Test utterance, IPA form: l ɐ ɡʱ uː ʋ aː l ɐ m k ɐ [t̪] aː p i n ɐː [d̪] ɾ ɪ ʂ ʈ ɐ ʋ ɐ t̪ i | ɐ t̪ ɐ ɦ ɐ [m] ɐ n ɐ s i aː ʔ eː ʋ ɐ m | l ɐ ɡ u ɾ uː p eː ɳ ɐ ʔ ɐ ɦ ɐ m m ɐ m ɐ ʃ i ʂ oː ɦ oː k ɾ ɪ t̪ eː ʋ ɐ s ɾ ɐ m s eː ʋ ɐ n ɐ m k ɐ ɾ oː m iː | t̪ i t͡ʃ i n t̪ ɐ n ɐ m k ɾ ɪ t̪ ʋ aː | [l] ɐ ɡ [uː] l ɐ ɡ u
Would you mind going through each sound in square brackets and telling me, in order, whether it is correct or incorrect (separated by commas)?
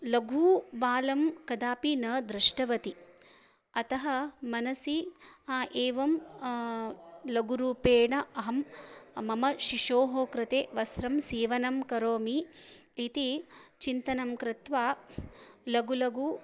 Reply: incorrect, correct, correct, correct, incorrect